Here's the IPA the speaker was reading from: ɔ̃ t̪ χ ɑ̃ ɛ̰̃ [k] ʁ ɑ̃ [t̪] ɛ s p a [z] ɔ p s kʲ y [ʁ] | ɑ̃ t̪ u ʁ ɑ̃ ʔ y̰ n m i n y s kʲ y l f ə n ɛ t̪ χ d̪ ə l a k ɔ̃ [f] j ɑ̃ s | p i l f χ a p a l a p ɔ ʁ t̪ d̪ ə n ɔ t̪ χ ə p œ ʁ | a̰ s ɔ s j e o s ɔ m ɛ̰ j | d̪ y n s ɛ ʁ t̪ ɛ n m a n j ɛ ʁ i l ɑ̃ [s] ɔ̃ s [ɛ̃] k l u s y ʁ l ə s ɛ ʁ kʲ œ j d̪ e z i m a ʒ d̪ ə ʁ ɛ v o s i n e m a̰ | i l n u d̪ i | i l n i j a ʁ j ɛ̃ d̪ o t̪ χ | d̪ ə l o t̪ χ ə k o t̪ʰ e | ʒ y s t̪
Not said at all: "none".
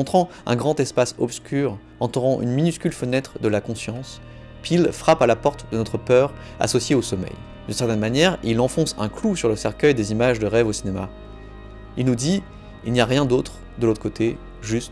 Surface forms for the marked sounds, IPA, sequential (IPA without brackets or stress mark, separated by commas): ɡ, t̪, s, ʁ, s, f, ɛ̃